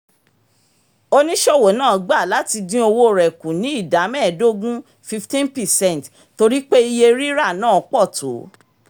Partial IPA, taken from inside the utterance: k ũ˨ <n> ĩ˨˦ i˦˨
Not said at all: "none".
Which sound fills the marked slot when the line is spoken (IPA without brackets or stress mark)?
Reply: n